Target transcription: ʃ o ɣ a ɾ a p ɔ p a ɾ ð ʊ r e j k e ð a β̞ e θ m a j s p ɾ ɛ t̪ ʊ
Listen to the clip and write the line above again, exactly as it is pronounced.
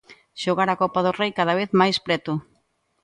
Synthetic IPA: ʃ o ɣ a ɾ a k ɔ p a ð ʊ r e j k a ð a β̞ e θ m a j s p ɾ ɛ t̪ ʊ